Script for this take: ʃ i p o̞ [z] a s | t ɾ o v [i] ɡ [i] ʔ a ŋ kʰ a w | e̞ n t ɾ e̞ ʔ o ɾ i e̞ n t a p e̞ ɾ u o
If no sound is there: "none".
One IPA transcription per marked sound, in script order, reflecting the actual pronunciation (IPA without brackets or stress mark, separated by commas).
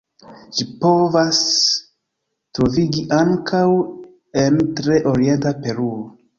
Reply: v, i, i